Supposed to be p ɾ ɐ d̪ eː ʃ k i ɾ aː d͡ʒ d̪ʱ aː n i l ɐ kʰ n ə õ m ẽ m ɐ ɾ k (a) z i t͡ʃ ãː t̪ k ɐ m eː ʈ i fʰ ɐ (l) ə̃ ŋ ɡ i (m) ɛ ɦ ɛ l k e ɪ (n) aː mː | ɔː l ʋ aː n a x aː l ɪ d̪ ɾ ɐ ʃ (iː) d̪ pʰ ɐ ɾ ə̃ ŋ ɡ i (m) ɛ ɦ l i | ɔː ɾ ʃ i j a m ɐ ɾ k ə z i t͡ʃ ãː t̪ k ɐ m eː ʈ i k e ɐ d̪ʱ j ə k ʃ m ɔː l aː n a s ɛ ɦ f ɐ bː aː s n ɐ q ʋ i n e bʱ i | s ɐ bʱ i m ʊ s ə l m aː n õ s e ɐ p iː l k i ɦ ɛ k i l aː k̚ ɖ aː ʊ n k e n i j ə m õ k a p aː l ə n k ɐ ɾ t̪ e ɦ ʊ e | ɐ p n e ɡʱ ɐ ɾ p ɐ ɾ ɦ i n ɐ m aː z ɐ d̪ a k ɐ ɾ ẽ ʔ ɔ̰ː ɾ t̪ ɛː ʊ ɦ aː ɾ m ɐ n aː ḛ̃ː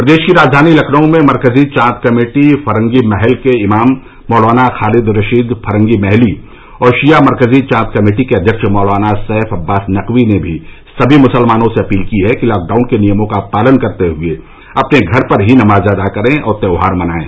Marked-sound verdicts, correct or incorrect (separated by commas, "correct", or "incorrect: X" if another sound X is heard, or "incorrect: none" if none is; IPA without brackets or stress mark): incorrect: ə, incorrect: ɾ, correct, incorrect: m, correct, correct